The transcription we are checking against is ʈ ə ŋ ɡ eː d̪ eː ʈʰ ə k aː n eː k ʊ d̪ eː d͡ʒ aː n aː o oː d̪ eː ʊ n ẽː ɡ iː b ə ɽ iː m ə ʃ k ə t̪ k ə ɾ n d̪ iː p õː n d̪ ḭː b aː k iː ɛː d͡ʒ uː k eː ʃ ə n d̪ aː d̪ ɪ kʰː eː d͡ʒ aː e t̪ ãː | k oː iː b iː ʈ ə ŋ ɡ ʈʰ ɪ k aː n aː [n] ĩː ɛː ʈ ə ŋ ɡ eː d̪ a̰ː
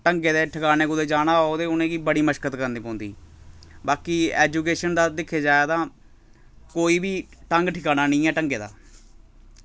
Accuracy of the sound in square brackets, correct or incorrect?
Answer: correct